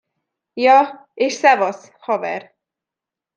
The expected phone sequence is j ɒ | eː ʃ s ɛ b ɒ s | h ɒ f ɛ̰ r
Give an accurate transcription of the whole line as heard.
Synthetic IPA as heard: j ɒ | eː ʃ s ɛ v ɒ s | h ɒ v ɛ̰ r